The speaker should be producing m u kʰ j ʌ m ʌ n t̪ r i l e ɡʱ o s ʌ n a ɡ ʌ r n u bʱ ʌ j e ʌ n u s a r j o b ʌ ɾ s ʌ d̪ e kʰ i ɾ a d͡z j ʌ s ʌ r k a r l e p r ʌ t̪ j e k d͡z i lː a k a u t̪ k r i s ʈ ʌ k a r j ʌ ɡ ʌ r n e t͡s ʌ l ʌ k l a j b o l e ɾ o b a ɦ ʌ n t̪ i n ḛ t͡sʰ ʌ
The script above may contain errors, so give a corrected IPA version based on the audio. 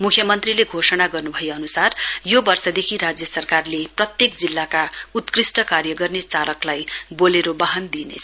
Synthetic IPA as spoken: m u kʰ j ʌ m ʌ n t̪ r i l e ɡʱ o s ʌ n a ɡ ʌ r n u bʱ ʌ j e ʌ n u s a r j o b ʌ r s ʌ d̪ e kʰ i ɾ a d͡z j ʌ s ʌ r k a r l e p r ʌ t̪ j e k d͡z i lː a k a u t̪ k r i s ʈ ʌ k a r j ʌ ɡ ʌ r n e t͡s a l ʌ k l a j b o l e ɾ o b a ɦ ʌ n d̪ i n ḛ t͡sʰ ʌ